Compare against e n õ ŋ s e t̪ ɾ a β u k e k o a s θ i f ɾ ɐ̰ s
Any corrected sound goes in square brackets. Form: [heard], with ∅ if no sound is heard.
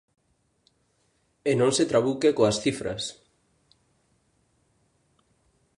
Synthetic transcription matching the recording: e n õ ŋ s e t̪ ɾ a β u k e k o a s θ i f ɾ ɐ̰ s